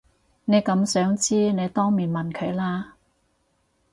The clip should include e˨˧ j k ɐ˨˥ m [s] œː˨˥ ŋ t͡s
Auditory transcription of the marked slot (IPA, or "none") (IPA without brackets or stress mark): s